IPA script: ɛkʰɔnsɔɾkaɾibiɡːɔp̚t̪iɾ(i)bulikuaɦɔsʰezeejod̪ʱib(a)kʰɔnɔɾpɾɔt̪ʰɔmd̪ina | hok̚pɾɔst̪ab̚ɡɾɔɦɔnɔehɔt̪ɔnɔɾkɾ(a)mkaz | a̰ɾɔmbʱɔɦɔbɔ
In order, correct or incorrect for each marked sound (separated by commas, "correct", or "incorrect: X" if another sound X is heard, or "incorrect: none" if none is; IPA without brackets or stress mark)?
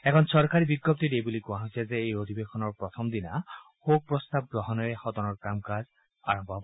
incorrect: e, incorrect: e, correct